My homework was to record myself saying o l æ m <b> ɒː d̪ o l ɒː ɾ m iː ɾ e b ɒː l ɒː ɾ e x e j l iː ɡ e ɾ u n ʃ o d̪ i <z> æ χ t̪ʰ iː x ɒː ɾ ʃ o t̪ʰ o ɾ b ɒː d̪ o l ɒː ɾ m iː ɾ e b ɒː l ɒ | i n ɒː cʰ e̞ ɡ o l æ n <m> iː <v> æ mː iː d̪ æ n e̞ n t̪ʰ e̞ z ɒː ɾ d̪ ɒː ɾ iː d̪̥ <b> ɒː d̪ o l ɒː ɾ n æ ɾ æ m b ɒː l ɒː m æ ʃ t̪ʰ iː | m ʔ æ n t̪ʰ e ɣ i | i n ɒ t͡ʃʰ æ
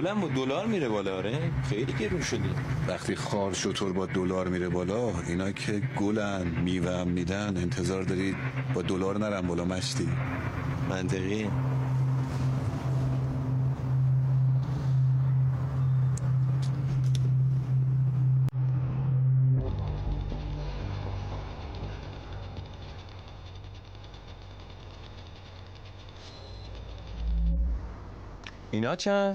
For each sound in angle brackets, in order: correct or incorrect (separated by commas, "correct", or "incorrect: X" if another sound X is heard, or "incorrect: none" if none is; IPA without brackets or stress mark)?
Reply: correct, incorrect: v, correct, correct, correct